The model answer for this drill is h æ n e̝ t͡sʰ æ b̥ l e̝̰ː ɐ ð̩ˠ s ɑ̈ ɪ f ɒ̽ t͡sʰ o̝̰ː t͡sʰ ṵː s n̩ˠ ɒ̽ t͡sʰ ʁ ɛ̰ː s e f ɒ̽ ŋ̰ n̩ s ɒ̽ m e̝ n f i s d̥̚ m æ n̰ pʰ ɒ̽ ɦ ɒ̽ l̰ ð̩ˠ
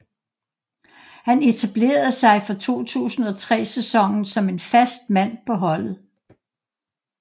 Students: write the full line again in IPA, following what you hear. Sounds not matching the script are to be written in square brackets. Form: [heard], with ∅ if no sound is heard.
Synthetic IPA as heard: h æ n e̝ t͡sʰ æ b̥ l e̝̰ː ɐ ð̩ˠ s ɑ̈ ɪ f ɒ̽ t͡sʰ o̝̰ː t͡sʰ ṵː s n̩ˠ ɒ̽ t͡sʰ ʁ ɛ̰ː s e [s] ɒ̽ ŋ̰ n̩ s ɒ̽ m e̝ n f [æ] s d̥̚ m æ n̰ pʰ ɒ̽ ɦ ɒ̽ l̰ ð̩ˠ